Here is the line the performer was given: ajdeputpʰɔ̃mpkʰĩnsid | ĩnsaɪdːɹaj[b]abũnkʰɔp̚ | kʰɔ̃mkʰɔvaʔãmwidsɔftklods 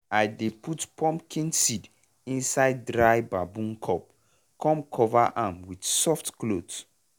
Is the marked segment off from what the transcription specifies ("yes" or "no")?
no